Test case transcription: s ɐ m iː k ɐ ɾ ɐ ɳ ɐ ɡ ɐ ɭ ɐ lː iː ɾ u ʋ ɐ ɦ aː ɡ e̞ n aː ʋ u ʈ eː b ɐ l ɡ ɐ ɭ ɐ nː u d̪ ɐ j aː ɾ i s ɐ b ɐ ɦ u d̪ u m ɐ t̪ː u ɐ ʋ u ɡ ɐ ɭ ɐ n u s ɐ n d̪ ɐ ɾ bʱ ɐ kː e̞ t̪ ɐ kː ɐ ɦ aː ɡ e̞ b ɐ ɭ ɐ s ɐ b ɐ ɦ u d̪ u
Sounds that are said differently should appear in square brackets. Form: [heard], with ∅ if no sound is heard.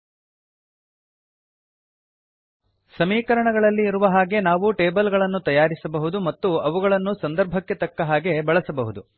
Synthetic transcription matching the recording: s ɐ m iː k ɐ ɾ ɐ ɳ ɐ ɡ ɐ ɭ ɐ lː iː ɾ u ʋ ɐ ɦ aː ɡ e̞ n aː ʋ u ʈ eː b ɐ l ɡ ɐ ɭ ɐ nː u [t̪] ɐ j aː ɾ i s ɐ b ɐ ɦ u d̪ u m ɐ t̪ː u ɐ ʋ u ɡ ɐ ɭ ɐ [nː] u s ɐ n d̪ ɐ ɾ bʱ ɐ kː e̞ t̪ ɐ kː ɐ ɦ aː ɡ e̞ b ɐ ɭ ɐ s ɐ b ɐ ɦ u d̪ u